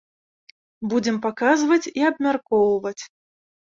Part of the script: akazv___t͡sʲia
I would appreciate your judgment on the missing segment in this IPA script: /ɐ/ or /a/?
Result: ɐ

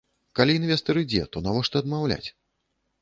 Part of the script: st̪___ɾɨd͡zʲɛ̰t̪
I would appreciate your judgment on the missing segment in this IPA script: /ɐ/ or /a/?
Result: ɐ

